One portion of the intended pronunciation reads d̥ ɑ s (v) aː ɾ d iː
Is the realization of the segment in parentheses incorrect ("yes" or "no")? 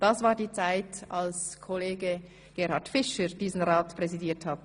no